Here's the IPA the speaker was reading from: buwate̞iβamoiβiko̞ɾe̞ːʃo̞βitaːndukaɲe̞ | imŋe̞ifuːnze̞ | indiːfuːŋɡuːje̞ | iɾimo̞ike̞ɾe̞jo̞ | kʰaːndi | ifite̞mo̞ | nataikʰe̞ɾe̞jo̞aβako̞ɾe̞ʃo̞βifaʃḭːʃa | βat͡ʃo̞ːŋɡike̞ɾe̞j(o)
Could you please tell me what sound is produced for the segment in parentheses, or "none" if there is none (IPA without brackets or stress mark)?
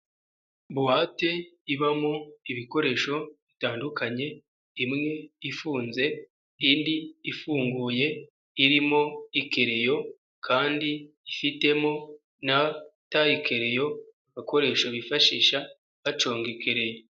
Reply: o